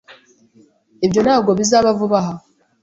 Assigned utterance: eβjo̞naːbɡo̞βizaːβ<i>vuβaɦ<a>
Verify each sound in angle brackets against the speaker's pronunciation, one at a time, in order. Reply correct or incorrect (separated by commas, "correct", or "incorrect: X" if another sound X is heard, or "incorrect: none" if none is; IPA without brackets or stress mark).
incorrect: a, correct